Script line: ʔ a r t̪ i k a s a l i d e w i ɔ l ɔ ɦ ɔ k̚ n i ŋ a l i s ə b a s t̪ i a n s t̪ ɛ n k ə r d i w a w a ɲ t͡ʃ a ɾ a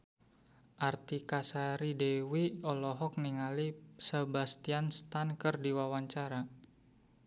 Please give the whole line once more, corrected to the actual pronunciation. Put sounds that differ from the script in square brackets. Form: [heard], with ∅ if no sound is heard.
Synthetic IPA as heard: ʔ a r t̪ i k a s a [ɾ] i d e w i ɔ l ɔ ɦ ɔ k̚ n i ŋ a l i s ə b a s t̪ i a n s t̪ [a] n k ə r d i w a w a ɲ t͡ʃ a ɾ a